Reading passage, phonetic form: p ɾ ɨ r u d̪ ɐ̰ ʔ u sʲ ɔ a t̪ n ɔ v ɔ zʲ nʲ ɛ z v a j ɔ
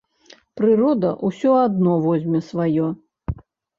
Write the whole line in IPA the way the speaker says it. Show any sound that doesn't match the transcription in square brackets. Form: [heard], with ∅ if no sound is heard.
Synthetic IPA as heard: p ɾ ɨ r [ɔ] d̪ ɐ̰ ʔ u sʲ ɔ a [d̪] n ɔ v ɔ zʲ [mʲ] ɛ [s] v a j ɔ